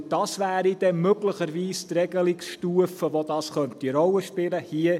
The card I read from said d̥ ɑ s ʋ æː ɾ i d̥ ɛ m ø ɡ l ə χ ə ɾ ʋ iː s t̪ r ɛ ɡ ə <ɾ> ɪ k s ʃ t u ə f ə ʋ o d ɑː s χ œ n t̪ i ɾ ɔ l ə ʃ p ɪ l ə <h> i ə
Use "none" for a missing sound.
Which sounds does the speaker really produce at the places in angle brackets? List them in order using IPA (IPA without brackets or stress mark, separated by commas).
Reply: l, h